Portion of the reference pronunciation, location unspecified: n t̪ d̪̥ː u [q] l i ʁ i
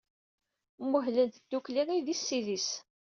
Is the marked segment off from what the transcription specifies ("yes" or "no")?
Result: yes